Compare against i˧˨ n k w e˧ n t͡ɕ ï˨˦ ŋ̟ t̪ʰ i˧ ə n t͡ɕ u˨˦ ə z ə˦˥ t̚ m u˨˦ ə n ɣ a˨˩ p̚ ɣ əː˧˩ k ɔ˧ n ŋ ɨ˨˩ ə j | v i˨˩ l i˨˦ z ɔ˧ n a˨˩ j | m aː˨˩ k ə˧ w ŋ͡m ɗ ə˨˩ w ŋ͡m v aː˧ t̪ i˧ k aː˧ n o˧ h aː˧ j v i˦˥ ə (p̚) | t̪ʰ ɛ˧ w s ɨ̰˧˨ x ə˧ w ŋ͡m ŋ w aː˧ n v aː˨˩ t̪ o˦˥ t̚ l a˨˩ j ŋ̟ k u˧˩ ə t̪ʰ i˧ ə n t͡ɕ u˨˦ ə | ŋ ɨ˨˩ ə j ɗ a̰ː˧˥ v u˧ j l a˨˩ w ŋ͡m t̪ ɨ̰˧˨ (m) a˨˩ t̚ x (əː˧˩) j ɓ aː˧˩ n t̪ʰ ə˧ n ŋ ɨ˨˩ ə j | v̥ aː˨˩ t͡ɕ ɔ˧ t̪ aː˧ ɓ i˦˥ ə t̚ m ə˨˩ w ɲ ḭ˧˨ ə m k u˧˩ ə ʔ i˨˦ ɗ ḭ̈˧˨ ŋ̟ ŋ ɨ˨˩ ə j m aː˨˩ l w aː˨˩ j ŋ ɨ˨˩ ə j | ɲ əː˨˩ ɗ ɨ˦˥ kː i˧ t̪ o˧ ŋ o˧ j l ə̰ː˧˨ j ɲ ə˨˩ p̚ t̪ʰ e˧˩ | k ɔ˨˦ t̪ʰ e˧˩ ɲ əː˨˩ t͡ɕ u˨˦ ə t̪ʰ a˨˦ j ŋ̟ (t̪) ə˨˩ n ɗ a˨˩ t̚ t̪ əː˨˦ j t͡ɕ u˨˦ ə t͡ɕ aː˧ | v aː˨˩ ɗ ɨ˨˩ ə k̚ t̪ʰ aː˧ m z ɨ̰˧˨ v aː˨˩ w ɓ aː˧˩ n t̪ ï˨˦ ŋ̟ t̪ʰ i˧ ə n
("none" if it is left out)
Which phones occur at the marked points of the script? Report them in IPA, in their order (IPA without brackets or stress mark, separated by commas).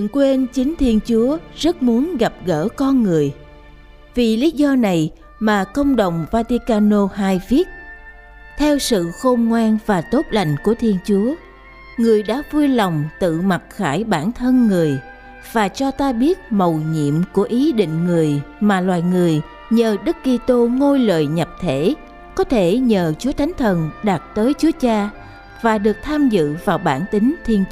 t̚, m, aː˧˩, t̪ʰ